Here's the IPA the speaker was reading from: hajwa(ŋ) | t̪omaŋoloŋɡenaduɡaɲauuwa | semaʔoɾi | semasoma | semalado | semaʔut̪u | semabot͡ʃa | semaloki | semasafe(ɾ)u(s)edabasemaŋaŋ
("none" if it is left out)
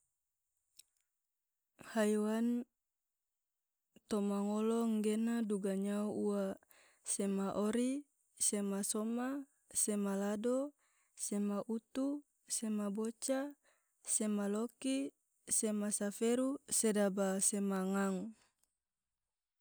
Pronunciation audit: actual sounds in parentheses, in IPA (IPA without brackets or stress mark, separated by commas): n, ɾ, s